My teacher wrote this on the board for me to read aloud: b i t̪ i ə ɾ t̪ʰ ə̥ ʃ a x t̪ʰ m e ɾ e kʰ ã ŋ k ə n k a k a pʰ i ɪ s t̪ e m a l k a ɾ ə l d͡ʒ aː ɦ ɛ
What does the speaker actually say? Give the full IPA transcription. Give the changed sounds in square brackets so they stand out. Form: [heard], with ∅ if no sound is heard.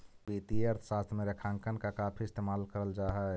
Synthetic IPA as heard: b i t̪ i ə ɾ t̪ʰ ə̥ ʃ a [s] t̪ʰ m e ɾ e kʰ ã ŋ k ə n k a k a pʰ i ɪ s t̪ e m a l k [ə] ɾ ə l d͡ʒ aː ɦ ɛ